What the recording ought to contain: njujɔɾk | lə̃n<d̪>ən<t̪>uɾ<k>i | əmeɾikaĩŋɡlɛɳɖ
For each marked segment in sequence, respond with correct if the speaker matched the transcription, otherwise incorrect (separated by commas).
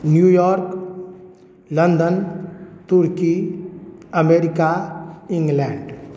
correct, correct, correct